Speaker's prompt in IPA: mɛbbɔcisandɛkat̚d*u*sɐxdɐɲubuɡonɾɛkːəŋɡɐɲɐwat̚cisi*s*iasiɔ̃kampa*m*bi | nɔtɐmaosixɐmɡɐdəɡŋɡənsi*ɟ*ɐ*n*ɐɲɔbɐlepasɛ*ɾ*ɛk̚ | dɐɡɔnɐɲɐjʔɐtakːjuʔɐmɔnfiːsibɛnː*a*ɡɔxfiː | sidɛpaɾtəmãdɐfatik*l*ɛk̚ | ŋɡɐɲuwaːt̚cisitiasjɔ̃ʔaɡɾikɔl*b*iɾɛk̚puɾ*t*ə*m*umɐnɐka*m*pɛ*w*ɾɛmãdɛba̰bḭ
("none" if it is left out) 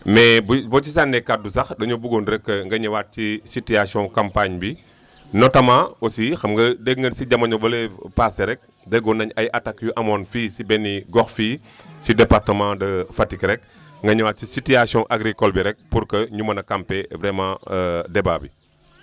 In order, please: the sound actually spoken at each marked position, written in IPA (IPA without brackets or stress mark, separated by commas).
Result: u, t, ɲ, ɟ, m, ɾ, i, ɾ, b, k, ɲ, m, v